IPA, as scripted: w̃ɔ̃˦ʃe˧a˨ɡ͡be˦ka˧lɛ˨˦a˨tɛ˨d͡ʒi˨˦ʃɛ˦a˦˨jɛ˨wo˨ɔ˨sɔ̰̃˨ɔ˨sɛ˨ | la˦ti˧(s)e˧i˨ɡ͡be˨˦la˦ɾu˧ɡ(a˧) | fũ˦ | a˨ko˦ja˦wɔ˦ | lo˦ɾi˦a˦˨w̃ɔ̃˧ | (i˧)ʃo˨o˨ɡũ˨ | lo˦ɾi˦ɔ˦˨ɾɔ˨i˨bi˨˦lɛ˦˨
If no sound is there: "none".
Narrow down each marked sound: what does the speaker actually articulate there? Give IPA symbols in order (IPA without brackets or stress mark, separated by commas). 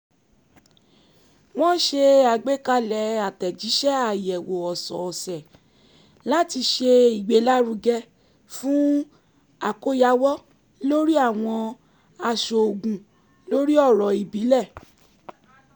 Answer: ʃ, ɛ˧, a˧